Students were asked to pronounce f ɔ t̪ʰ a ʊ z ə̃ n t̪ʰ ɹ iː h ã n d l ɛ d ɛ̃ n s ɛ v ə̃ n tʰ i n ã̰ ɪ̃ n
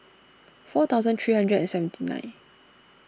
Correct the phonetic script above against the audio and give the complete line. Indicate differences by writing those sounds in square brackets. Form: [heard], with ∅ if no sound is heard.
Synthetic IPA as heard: f ɔ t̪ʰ a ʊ z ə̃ n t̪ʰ ɹ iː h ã n d [ɹ] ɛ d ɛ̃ n s ɛ v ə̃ n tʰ i n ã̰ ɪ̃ n

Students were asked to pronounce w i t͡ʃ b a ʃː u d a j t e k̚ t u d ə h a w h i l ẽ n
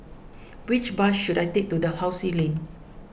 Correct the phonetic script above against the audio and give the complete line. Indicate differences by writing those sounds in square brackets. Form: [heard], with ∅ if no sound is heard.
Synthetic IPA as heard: w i t͡ʃ b a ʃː u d a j t e k̚ t u d ə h a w [s] i l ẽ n

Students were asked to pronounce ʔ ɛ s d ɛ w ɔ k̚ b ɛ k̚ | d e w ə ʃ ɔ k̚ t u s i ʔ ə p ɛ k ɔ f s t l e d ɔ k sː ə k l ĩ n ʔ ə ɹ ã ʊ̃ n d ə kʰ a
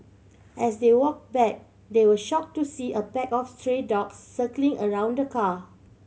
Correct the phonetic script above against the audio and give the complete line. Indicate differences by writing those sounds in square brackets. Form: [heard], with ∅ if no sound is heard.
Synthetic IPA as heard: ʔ ɛ s d [e] w ɔ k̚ b ɛ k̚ | d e w ə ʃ ɔ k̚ t u s i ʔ ə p ɛ k ɔ f s t [ɹ] e d ɔ k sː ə k l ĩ [ŋ] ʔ ə ɹ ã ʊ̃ n d ə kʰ a

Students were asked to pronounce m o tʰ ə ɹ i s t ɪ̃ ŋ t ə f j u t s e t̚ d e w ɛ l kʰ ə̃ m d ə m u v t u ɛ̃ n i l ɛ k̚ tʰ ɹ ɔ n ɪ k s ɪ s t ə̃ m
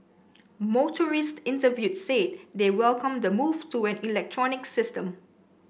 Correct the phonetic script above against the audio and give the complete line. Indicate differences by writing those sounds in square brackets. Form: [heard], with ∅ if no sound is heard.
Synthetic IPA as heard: m o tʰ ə ɹ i s t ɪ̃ [n] t ə [v] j u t s e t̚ d e w ɛ l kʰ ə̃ m d ə m u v t u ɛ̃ n i l ɛ k̚ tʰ ɹ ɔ n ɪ k s ɪ s t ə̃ m

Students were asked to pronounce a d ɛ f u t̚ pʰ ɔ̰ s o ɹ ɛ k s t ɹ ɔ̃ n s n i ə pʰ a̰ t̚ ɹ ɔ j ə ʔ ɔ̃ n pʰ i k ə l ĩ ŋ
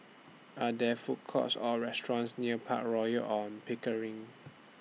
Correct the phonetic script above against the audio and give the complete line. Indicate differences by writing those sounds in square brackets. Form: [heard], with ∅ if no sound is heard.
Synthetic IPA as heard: a d ɛ f u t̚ [kʰ] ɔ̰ s [ɔ] ɹ ɛ [∅] s t ɹ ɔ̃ n s n i ə pʰ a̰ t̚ ɹ ɔ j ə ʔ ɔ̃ n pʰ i k ə [ɹ] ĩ ŋ

